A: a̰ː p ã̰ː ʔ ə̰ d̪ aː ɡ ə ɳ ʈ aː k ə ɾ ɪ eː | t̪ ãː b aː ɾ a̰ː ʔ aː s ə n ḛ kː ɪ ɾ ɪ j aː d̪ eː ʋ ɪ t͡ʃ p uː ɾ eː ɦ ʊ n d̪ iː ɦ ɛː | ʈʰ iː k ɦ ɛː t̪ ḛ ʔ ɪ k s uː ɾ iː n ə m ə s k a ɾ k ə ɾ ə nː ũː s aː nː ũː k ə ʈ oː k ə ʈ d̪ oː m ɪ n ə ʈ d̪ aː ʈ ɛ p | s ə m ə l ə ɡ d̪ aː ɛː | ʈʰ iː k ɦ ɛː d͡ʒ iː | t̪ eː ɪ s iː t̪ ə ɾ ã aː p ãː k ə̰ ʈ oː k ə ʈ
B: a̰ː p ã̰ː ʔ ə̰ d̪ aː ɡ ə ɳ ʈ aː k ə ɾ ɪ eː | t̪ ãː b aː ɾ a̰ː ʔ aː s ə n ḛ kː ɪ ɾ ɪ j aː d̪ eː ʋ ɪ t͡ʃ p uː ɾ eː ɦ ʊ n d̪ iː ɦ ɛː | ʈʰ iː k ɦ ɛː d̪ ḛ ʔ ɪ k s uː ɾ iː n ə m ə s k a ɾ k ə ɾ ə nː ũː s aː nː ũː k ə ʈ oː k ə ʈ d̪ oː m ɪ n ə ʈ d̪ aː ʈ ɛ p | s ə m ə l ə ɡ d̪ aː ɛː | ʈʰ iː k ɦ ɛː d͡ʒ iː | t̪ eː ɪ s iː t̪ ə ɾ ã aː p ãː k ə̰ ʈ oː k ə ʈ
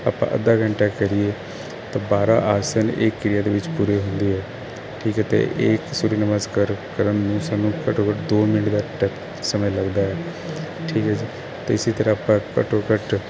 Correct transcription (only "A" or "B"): A